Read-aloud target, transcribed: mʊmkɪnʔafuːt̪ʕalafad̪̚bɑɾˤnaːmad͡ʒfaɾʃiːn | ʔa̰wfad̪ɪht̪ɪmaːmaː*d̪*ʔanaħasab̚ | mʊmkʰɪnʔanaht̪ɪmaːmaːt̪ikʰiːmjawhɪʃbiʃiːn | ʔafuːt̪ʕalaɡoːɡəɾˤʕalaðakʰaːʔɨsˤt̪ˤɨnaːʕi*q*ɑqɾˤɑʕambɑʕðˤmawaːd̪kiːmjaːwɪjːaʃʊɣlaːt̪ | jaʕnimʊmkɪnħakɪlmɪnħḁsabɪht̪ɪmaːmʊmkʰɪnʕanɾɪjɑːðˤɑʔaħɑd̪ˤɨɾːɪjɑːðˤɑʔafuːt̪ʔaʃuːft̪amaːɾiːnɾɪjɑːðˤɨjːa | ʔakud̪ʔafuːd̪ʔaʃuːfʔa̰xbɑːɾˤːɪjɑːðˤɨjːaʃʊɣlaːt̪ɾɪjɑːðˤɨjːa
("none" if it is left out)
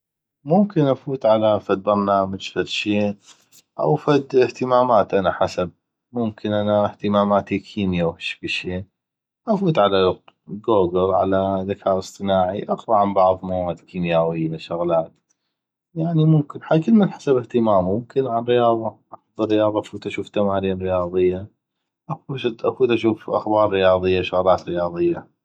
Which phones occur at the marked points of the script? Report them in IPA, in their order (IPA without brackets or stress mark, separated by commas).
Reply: t̪, ʔ